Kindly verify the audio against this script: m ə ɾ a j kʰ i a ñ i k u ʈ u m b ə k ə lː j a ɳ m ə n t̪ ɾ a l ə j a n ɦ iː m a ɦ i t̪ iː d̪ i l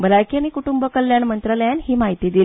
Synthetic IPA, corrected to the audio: b ə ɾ a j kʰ i a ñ i k u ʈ u m b ə k ə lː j a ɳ m ə n t̪ ɾ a l ə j a n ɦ iː m a ɦ i t̪ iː d̪ i l